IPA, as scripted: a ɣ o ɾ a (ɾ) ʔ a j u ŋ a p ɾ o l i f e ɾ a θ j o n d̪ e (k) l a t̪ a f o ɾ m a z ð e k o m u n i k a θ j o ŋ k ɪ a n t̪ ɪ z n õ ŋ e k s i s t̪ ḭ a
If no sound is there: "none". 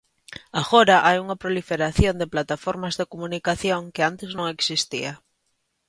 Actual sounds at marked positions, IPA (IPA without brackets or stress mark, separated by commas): none, p